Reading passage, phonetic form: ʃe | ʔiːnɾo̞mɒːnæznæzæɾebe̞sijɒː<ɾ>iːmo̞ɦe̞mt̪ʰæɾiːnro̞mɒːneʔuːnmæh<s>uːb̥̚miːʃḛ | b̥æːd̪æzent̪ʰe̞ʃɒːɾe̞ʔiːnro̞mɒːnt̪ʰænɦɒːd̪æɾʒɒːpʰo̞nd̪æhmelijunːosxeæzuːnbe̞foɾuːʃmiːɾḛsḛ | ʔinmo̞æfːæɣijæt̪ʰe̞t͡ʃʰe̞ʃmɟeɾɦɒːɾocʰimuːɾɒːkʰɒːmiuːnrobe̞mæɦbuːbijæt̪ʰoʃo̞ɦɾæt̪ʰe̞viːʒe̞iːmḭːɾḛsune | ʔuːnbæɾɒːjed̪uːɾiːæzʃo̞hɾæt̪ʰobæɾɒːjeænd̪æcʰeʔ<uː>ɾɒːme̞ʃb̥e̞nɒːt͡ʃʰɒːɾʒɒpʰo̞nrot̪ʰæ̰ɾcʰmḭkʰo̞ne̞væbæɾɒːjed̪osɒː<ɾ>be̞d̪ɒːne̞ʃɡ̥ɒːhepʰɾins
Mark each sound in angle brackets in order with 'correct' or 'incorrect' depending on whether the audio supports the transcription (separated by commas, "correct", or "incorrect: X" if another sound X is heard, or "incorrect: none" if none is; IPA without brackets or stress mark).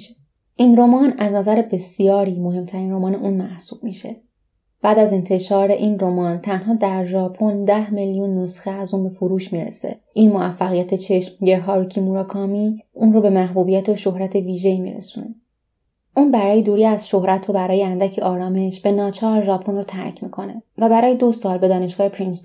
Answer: correct, correct, incorrect: ɒː, incorrect: l